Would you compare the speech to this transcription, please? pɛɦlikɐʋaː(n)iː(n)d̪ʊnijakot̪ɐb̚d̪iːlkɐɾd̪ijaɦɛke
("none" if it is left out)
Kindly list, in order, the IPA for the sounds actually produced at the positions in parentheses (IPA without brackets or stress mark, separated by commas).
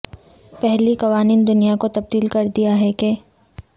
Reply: n, n